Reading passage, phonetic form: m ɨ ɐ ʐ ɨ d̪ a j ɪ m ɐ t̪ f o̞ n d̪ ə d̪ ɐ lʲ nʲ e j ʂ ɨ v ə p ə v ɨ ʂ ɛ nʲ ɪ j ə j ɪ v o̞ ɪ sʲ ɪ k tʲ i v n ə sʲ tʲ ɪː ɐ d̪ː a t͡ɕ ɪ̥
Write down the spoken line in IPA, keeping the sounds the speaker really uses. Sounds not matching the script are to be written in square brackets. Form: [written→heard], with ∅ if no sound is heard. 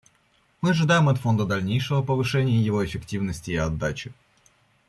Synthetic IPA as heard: m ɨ ɐ ʐ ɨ d̪ a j ɪ m ɐ t̪ f o̞ n d̪ ə d̪ ɐ lʲ nʲ e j ʂ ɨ v ə p ə v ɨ ʂ ɛ nʲ ɪ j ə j ɪ v o̞ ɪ [sʲ→fʲ] ɪ k tʲ i v n ə sʲ tʲ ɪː ɐ d̪ː a t͡ɕ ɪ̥